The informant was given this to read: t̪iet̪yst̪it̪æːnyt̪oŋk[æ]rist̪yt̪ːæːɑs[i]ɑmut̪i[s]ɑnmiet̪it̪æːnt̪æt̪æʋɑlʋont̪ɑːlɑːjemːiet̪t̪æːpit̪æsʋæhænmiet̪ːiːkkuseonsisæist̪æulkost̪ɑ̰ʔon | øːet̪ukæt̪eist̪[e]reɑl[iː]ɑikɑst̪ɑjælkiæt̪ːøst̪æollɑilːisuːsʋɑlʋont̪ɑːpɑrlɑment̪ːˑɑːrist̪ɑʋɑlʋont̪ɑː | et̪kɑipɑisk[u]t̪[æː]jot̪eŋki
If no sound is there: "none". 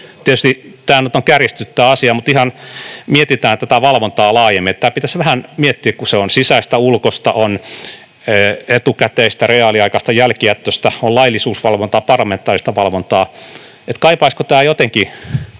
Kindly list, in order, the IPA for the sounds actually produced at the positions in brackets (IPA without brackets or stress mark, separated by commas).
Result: æ, i, h, æ, i, o, æː